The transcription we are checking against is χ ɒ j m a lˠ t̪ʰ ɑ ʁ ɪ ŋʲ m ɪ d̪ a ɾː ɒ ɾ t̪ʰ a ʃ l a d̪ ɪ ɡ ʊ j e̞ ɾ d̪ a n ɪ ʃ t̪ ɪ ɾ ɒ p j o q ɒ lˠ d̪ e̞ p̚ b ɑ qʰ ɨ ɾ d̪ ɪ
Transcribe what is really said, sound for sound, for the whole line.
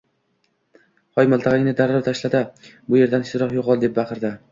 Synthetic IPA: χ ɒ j m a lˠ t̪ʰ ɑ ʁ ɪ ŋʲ n ɪ d̪ a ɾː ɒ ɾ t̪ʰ a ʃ l a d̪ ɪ b ʊ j e̞ ɾ d̪ a n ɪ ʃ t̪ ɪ ɾ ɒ q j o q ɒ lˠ d̪ e̞ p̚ b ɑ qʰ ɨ ɾ d̪ ɪ

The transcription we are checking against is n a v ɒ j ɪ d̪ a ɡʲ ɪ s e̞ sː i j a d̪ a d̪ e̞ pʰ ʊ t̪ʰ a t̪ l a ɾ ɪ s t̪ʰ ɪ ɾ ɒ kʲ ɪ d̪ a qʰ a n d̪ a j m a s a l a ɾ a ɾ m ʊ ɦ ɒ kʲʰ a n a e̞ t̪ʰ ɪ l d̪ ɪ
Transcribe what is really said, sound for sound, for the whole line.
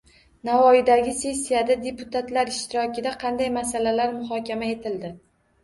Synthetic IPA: n a v ɒ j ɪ d̪ a ɡʲ ɪ s e̞ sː i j a d̪ a d̪ e̞ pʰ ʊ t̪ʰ a t̪ l a ɾ ɪ ʃ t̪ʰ ɪ ɾ ɒ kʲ ɪ d̪ a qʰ ɑ n d̪ a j m a s a l a l a ɾ m ʊ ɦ ɒ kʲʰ a m a e̞ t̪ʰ ɪ l d̪ ɪ

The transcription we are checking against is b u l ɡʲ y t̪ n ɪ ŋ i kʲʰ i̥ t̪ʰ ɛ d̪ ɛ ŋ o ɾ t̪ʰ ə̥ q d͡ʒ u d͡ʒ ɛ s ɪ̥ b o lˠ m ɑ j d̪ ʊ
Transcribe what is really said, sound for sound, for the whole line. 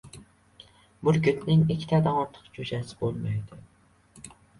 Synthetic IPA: b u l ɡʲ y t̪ n ɪ ŋ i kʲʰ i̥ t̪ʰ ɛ d̪ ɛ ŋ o ɾ t̪ʰ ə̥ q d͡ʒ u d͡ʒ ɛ s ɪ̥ b o lˠ m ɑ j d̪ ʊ

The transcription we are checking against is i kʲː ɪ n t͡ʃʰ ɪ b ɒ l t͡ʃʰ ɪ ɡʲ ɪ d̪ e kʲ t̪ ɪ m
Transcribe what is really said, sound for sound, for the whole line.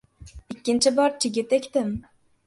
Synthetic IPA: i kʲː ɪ n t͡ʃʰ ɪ b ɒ ɾ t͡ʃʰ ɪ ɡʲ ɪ t̪ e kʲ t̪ ɪ m

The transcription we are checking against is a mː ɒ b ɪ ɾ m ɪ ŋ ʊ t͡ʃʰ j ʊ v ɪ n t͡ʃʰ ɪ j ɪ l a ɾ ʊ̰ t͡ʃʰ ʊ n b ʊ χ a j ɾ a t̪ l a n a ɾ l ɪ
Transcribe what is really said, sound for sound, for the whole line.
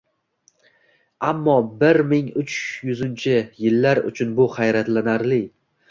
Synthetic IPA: a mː ɒ b ɪ ɾ m ɪ ŋ ʊ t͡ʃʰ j ʊ z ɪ n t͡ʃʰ ɪ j ɪ lː a ɾ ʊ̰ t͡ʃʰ ʊ n b ʊ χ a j ɾ a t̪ l a n a ɾ l ɪ

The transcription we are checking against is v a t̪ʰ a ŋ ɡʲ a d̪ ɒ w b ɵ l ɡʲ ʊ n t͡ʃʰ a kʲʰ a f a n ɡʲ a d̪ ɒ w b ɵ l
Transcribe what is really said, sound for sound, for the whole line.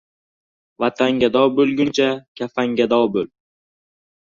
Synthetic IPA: v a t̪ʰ a ŋ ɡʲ a d̪ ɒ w b ɵ l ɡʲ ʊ n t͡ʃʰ a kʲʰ a f a ŋ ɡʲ a d̪ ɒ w b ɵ l

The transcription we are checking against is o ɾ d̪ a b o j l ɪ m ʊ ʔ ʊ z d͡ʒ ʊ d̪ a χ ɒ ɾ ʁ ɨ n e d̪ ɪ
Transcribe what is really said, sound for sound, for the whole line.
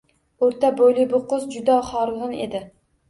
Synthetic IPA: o ɾ t̪ a b o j l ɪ b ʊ q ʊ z d͡ʒ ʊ d̪ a χ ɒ ɾ ʁ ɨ n e d̪ ɪ

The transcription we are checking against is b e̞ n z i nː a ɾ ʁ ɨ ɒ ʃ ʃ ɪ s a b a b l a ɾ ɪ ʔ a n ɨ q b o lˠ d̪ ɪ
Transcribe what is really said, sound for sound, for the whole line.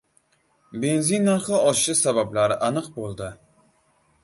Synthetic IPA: b e̞ n z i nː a ɾ χ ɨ ɒ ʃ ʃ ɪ s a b a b l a ɾ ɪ ʔ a n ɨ q b o lˠ d̪ ɪ

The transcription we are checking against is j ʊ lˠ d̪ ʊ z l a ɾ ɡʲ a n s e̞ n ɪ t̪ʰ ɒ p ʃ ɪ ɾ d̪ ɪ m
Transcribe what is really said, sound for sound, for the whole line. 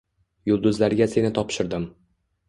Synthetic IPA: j ʊ lˠ d̪ ʊ z l a ɾ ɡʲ a s e̞ n ɪ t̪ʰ ɒ p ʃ ɪ ɾ d̪ ɪ m

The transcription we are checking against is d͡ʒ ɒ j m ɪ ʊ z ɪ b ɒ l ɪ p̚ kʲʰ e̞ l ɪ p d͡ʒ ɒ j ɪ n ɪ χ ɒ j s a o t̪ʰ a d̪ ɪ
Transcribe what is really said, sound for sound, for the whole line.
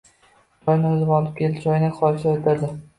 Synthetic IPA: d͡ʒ ɒ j n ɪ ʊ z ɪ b ɒ l ɪ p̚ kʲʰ e̞ l ɪ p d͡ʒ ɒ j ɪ n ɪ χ ɒ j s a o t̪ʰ a d̪ ɪ

